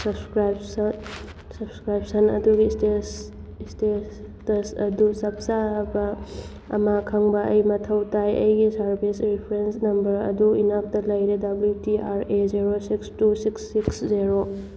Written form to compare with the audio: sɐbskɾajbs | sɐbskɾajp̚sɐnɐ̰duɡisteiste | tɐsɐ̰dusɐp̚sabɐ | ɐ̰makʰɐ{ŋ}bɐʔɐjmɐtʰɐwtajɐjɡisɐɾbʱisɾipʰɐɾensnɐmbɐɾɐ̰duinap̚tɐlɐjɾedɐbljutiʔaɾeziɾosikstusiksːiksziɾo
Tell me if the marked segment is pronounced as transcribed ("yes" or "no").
yes